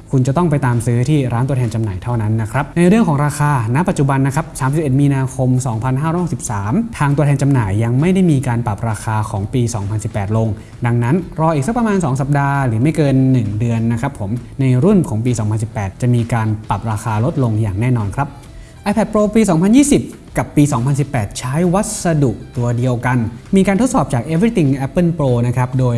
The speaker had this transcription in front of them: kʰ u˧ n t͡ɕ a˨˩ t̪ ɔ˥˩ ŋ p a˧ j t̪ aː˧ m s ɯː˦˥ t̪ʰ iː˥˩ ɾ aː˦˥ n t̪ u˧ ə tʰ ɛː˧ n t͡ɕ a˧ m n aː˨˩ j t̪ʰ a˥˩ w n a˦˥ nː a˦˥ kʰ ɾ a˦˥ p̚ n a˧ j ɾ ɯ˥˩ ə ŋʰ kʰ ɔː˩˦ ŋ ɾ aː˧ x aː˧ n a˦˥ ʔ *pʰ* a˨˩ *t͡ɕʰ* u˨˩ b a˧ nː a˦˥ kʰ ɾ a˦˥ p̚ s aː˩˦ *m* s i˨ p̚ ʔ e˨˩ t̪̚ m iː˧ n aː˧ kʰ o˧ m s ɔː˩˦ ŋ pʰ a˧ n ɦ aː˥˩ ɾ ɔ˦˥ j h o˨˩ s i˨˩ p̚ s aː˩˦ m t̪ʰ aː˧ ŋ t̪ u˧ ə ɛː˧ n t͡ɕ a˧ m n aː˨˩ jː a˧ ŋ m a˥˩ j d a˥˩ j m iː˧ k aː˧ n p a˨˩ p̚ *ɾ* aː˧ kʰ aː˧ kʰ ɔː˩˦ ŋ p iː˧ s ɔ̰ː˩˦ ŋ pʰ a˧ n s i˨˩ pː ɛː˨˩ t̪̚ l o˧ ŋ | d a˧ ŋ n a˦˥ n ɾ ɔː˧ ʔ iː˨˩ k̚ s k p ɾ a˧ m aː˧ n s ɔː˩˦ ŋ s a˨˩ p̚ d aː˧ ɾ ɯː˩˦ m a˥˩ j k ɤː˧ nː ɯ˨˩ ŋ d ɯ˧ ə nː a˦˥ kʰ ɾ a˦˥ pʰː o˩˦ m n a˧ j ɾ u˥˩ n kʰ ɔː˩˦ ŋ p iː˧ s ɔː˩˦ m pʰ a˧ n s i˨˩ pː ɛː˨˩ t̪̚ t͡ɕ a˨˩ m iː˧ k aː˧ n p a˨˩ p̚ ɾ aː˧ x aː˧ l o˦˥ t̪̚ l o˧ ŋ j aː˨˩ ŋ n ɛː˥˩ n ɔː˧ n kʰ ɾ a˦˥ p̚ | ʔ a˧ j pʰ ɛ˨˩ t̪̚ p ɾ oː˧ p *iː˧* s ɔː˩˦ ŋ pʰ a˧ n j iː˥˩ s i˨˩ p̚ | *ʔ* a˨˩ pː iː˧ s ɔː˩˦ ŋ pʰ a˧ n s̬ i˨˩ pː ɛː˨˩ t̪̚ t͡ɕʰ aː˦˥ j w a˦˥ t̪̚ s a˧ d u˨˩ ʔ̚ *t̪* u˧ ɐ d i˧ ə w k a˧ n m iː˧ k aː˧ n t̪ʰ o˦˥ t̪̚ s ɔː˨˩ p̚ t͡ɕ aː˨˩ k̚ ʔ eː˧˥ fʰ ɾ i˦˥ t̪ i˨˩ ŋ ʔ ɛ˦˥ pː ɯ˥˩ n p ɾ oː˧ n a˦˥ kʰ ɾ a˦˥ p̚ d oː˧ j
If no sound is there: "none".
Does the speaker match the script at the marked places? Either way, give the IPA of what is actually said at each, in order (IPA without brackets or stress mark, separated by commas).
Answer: p, t͡ɕ, m, ɾ, iː˧, k, t̪